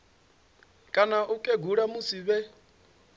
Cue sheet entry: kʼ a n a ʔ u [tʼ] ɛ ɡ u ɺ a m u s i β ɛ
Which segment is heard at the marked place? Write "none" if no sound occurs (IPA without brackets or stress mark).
kʼ